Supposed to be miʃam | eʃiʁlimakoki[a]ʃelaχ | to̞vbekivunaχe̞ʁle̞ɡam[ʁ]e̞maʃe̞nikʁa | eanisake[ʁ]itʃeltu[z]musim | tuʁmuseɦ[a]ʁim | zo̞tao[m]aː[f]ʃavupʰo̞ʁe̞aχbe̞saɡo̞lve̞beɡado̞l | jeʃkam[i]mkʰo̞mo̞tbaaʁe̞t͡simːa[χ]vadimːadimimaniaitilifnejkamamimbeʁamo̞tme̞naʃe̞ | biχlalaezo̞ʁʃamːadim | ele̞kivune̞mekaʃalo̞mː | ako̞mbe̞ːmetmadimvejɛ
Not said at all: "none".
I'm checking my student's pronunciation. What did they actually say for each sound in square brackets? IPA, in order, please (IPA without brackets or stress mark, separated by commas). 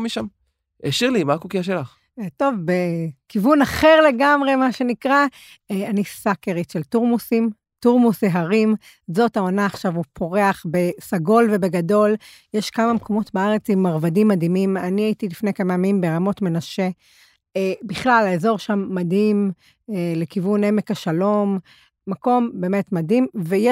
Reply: a, ʁ, ʁ, ʁ, a, n, χ, a, ʁ